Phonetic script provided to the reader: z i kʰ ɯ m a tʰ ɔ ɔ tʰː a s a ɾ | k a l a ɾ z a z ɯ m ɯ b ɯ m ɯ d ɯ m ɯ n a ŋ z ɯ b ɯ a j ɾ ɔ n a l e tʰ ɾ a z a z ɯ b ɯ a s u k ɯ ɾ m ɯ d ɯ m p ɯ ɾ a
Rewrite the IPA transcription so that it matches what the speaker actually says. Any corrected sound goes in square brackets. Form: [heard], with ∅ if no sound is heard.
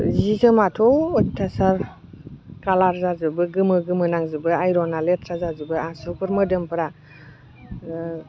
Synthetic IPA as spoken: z i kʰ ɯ m a tʰ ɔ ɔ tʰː a s a ɾ | k a l a ɾ z a z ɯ [b] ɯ [ɡ] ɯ m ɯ [ɡ] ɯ m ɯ n a ŋ z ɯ b ɯ a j ɾ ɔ n a l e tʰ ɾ a z a z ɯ b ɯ a s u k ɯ ɾ m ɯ d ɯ m p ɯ ɾ a